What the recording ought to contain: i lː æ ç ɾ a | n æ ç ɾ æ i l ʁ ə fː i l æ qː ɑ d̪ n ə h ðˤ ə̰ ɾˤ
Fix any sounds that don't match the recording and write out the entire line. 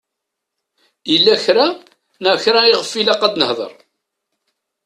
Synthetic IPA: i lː æ ç ɾ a | n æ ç ɾ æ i ʁ ə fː i l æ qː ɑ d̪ n ə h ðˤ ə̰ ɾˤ